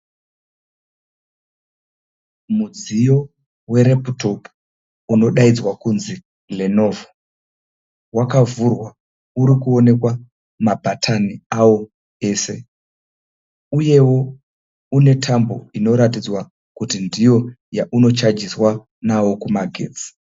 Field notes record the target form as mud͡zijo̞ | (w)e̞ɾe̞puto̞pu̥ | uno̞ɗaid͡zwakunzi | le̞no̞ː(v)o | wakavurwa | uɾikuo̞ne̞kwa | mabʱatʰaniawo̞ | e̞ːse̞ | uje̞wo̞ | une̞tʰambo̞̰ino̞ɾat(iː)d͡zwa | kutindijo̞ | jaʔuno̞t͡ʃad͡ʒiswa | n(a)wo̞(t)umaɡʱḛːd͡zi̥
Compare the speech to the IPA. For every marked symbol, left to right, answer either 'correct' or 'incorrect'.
correct, correct, incorrect: i, correct, incorrect: k

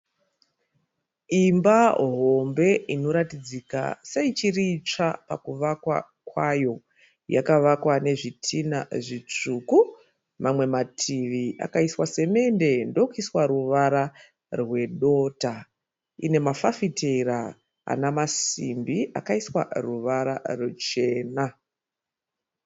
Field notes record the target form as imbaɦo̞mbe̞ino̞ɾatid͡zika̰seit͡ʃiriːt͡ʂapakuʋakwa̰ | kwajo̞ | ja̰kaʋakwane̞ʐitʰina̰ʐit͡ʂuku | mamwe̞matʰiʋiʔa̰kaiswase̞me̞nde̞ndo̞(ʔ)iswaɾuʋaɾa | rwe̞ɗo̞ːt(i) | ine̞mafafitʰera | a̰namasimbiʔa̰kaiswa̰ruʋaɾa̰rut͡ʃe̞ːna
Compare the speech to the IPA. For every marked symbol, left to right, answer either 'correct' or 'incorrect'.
incorrect: k, incorrect: a

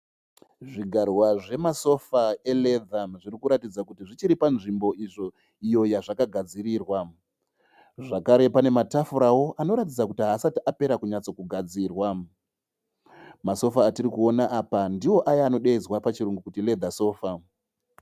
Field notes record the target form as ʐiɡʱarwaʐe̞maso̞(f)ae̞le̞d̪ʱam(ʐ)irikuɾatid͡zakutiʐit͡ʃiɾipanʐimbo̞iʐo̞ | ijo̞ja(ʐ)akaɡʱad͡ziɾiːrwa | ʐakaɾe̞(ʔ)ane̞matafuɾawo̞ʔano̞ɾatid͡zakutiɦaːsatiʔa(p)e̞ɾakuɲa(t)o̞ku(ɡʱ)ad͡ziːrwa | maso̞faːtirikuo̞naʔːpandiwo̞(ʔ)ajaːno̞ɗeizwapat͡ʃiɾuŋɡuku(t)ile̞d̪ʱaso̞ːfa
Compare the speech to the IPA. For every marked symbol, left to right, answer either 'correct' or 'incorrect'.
correct, correct, correct, incorrect: p, correct, incorrect: t͡s, correct, correct, correct

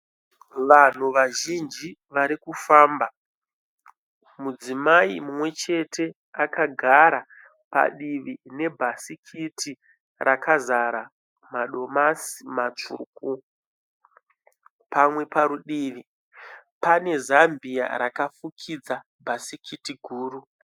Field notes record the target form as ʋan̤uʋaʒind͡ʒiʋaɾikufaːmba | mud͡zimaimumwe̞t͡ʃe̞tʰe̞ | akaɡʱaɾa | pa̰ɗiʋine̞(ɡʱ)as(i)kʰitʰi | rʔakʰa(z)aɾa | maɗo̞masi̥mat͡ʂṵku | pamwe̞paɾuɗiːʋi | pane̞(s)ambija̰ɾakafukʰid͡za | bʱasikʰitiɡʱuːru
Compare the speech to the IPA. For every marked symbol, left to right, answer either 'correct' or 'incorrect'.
incorrect: bʱ, correct, correct, incorrect: z

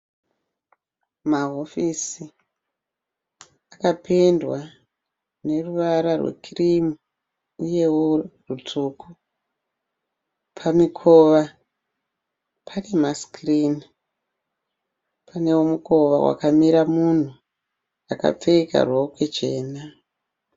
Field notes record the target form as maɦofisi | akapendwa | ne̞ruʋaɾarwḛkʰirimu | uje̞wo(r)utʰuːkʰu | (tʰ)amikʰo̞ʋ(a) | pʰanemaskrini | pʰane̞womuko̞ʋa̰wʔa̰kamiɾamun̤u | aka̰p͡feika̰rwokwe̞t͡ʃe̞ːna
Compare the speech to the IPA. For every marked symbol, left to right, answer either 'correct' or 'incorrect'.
correct, incorrect: pʰ, correct

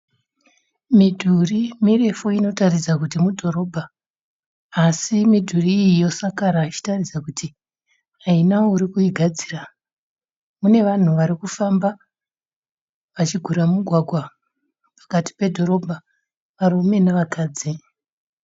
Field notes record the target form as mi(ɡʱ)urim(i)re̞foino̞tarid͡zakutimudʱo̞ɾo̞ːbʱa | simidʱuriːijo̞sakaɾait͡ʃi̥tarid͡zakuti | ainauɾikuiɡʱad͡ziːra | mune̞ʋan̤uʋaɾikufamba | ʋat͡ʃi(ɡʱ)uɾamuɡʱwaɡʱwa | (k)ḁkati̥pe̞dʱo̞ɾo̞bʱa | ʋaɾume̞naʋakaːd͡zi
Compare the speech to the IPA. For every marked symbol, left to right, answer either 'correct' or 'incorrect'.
incorrect: dʱ, correct, correct, incorrect: p

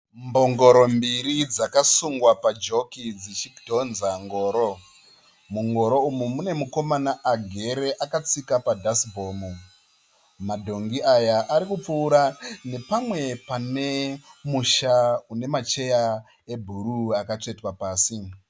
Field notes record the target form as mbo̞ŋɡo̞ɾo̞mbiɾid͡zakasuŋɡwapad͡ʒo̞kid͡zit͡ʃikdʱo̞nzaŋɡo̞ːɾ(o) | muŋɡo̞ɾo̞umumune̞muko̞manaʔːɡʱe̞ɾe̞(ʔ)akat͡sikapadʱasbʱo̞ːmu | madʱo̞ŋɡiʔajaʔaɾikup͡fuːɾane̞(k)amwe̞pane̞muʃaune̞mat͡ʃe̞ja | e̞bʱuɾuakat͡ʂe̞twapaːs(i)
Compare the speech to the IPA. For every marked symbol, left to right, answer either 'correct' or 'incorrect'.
correct, correct, incorrect: p, correct

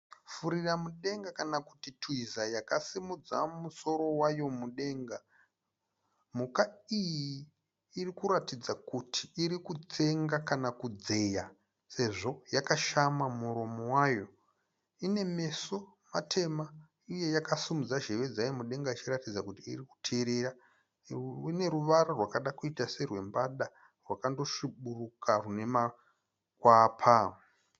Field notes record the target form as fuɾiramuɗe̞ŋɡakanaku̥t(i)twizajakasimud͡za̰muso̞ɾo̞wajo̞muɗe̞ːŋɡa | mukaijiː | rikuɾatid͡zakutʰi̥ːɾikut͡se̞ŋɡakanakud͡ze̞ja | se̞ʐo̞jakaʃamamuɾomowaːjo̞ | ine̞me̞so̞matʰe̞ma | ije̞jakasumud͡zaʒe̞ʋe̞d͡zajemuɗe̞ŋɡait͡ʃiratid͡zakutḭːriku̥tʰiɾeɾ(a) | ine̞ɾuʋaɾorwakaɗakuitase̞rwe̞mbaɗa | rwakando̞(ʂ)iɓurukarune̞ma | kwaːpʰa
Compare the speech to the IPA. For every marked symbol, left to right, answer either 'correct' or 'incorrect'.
correct, correct, incorrect: ʃ

